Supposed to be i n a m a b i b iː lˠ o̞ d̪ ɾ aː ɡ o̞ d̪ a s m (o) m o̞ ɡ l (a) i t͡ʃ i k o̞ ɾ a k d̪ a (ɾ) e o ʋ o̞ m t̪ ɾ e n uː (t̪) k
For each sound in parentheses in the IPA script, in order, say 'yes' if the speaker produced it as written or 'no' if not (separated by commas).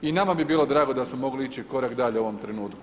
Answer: yes, no, no, yes